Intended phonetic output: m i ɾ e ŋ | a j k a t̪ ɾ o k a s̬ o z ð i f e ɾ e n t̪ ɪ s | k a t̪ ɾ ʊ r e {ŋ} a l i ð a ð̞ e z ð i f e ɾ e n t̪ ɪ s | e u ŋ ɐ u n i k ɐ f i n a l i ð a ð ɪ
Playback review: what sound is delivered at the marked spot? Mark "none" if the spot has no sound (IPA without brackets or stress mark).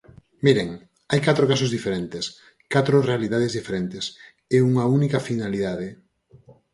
none